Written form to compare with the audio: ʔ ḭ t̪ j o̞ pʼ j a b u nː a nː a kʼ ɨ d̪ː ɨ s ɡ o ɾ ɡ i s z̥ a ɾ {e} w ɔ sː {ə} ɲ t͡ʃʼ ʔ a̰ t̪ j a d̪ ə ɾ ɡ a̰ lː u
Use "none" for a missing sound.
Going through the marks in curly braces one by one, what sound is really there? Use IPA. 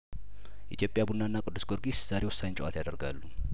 e, a

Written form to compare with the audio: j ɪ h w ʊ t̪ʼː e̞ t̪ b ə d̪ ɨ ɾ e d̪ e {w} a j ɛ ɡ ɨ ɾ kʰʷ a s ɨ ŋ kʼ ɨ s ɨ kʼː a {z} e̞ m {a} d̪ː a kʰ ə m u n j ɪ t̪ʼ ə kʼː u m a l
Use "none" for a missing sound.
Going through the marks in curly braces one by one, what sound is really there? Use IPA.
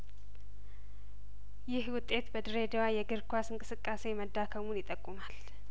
w, s, ə

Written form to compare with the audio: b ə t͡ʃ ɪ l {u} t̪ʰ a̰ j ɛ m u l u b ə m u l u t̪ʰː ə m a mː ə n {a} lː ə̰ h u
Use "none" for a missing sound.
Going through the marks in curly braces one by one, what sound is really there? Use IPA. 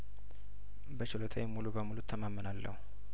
o, a

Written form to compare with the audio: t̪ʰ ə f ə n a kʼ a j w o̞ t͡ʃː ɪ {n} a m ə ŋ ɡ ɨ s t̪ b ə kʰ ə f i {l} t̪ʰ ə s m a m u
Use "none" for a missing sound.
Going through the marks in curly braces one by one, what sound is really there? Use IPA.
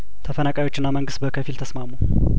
nː, l

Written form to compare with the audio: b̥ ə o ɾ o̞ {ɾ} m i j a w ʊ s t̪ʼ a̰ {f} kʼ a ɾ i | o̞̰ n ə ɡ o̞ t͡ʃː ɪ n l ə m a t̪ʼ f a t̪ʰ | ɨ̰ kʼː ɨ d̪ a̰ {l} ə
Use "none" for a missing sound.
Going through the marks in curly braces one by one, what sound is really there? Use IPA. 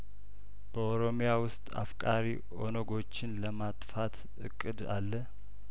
none, f, lː

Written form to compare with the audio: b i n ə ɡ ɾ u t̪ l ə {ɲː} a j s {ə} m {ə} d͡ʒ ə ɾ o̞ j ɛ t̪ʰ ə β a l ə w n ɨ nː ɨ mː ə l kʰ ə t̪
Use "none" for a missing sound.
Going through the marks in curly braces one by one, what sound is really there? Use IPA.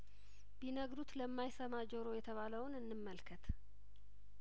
mː, ə, a

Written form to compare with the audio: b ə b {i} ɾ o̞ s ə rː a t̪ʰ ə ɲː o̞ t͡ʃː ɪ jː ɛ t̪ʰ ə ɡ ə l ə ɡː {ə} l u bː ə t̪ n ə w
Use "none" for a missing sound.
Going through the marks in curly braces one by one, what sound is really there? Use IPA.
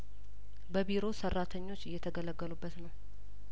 i, ə

